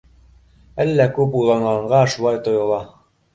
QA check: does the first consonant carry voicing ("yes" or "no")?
yes